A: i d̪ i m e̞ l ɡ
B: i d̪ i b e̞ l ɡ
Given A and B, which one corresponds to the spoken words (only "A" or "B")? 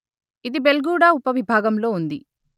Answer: B